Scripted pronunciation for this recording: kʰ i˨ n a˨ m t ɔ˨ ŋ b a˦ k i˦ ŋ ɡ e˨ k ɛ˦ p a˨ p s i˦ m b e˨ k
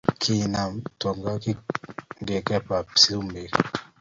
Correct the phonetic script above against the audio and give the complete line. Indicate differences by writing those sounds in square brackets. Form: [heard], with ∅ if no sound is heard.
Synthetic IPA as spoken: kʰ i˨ n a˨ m t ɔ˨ ŋ [ɡ] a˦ k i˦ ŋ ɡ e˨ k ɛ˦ p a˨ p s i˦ m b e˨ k